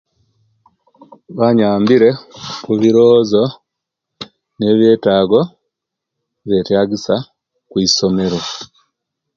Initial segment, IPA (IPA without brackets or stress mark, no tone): β